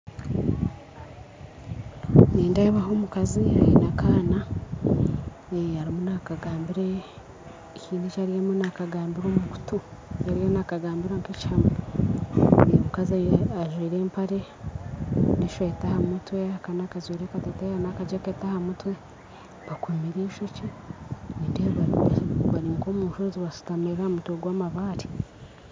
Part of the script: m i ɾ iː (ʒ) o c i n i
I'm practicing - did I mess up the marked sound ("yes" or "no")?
yes